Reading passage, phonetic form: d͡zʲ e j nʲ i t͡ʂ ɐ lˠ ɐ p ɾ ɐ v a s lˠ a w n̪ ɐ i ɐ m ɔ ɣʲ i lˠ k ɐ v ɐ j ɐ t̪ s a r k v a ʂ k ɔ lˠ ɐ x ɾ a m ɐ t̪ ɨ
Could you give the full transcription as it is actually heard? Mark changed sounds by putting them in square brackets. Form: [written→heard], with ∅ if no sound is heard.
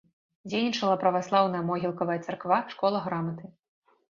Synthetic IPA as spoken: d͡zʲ e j nʲ i t͡ʂ ɐ lˠ ɐ p ɾ ɐ v a s lˠ a w n̪ ɐ [i→j] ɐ m ɔ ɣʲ i lˠ k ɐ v ɐ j ɐ t̪ s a r k v a ʂ k ɔ lˠ ɐ [x→ɣ] ɾ a m ɐ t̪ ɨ